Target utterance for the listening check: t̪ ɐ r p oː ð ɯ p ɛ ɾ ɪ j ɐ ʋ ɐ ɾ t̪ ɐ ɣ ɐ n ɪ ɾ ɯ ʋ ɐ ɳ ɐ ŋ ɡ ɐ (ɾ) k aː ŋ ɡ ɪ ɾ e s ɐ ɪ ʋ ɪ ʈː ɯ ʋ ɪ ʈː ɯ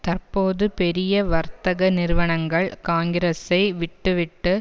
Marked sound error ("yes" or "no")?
yes